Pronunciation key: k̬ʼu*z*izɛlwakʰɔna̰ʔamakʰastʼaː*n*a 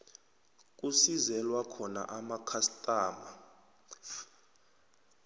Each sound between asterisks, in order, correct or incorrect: incorrect, incorrect

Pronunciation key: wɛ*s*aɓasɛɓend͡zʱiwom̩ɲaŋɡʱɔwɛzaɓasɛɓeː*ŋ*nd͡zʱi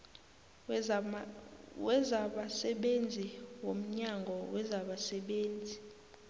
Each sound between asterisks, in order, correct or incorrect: incorrect, incorrect

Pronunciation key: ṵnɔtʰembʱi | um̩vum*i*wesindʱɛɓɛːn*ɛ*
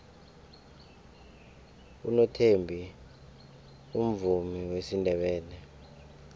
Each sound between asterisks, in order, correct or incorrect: correct, correct

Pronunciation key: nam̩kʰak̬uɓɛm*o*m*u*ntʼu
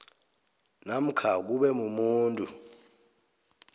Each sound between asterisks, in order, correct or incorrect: incorrect, incorrect

